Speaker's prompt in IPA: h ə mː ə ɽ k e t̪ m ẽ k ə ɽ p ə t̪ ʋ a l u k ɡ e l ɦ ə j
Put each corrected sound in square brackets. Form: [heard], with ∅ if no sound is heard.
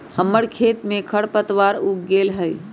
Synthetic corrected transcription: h ə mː ə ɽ [kʰ] e t̪ m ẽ [kʰ] ə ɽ p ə t̪ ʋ a [ɾ] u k ɡ e l ɦ ə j